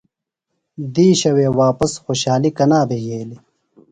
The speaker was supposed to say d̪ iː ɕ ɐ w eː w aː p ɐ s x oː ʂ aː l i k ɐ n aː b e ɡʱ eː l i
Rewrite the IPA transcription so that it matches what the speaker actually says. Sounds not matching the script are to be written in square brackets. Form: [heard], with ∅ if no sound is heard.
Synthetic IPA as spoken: d̪ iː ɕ ɐ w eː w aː p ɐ s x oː [ɕ] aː l i k ɐ n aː b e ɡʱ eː l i